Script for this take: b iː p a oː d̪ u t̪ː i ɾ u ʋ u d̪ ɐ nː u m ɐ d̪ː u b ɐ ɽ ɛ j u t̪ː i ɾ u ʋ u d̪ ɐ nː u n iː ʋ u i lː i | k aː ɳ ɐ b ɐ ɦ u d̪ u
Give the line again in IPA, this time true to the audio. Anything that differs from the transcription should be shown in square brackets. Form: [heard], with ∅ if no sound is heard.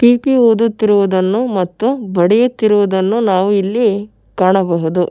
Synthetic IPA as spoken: [p] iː p [i] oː d̪ u t̪ː i ɾ u ʋ u d̪ ɐ nː u m ɐ [t̪ː] u b ɐ ɽ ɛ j u t̪ː i ɾ u ʋ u d̪ ɐ nː u n [aː] ʋ u i lː i | k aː ɳ ɐ b ɐ ɦ u d̪ u